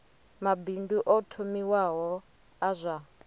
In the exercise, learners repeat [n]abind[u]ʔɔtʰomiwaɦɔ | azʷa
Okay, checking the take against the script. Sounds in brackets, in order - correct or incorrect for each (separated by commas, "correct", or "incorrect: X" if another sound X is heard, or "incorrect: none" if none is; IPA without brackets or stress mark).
incorrect: m, correct